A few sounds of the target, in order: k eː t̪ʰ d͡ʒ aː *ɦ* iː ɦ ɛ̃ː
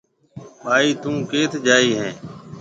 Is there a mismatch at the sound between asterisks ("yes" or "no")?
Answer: yes